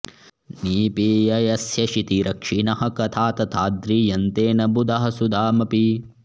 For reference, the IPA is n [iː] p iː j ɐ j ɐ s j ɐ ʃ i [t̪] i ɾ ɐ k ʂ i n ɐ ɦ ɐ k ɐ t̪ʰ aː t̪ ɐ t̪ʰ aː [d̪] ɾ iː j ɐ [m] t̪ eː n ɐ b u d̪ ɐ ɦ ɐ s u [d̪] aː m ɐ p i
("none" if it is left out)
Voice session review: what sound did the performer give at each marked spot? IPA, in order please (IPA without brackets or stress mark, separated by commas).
iː, t̪, d̪, n, d̪